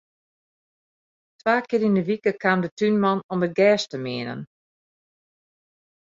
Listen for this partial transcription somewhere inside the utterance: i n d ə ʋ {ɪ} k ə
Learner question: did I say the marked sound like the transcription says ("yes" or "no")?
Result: no